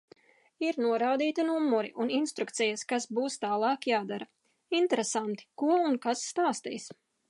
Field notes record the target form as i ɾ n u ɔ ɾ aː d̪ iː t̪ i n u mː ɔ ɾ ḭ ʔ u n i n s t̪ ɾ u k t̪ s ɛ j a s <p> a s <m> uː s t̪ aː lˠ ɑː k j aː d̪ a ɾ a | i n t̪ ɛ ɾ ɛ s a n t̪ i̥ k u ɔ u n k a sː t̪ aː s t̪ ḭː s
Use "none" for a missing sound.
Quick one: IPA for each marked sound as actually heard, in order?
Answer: k, b

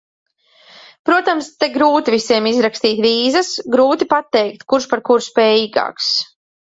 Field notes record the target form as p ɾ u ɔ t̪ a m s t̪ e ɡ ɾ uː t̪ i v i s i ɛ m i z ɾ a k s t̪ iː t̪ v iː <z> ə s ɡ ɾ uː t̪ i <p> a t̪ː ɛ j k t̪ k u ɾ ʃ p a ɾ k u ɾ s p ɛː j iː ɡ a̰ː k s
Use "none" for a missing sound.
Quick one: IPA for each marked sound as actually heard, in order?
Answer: z, p

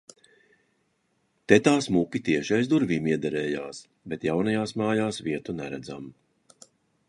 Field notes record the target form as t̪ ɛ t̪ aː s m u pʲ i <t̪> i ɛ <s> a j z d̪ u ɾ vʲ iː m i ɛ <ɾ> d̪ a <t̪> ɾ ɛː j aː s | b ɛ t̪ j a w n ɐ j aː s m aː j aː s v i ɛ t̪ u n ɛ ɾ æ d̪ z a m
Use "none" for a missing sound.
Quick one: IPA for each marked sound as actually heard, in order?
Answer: t̪, ʃ, none, none

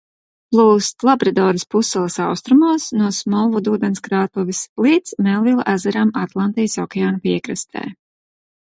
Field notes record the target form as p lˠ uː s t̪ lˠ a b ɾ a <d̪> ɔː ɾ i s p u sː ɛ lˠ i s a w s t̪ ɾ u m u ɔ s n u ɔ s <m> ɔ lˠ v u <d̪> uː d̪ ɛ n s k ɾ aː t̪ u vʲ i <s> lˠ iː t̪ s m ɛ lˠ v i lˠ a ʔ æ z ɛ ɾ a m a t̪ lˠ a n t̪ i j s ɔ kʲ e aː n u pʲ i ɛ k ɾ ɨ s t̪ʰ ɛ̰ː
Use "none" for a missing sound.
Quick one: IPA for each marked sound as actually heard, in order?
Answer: d̪, m, d̪, s

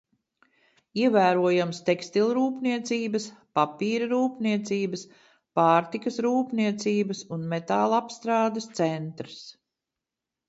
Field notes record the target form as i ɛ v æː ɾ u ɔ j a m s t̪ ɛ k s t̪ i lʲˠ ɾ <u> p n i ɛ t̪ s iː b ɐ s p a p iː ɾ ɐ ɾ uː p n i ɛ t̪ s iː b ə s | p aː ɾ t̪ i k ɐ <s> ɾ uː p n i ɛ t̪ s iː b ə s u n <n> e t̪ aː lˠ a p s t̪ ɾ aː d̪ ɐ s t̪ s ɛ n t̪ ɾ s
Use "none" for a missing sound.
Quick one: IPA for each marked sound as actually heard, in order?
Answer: uː, s, m

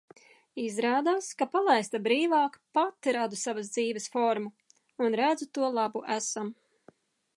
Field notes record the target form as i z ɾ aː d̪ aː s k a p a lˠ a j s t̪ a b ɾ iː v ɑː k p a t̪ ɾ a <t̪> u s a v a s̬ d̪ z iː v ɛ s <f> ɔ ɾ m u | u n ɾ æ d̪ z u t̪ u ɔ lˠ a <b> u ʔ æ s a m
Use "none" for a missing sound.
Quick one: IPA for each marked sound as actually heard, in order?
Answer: d̪, f, b

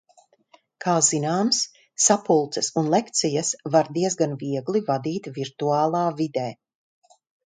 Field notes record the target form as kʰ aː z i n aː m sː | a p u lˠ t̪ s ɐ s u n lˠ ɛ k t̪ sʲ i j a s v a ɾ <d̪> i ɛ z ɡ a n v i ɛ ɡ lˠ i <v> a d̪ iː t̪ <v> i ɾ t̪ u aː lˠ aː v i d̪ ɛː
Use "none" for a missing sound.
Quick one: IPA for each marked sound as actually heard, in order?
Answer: d̪, v, v

